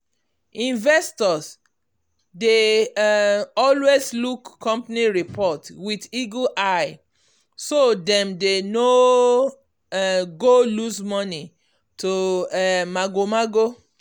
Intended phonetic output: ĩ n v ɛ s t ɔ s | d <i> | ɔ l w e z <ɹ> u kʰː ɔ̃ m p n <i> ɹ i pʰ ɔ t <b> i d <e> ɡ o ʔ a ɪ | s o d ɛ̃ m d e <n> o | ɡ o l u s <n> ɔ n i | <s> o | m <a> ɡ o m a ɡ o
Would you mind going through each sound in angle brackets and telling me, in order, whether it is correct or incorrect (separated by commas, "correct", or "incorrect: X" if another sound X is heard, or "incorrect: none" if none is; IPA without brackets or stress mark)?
incorrect: e, incorrect: l, correct, incorrect: w, incorrect: i, correct, incorrect: m, incorrect: t, correct